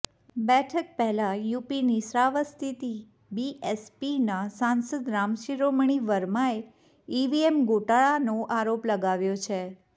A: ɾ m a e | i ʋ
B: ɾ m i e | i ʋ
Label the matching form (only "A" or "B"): A